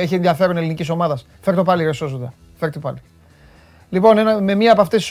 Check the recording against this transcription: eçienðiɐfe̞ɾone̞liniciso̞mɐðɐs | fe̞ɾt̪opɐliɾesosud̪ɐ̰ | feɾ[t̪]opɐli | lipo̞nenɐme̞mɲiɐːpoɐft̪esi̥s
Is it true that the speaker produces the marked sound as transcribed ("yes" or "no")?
yes